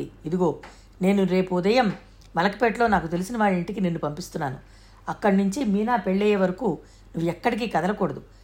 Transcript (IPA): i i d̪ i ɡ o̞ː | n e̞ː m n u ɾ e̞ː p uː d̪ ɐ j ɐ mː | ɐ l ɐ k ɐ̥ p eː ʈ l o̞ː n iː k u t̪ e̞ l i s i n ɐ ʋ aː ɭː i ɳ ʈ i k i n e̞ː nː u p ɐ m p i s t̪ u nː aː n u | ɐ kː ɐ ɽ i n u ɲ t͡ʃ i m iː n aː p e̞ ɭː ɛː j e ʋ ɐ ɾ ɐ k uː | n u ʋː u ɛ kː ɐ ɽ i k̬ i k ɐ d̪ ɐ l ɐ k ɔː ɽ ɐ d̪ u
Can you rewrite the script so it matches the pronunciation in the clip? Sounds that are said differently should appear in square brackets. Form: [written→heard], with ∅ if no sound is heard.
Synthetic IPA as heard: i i d̪ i ɡ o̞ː | n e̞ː [m→∅] n u ɾ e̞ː p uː d̪ ɐ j ɐ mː | ɐ l ɐ k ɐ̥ p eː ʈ l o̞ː n [iː→aː] k u t̪ e̞ l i s i n ɐ ʋ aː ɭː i ɳ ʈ i k i n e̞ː nː u p ɐ m p i s t̪ u nː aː n u | ɐ kː ɐ ɽ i n u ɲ t͡ʃ i m iː n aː p e̞ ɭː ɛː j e ʋ ɐ ɾ ɐ k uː | n u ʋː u ɛ kː ɐ ɽ i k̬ i k ɐ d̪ ɐ l ɐ k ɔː ɽ ɐ d̪ u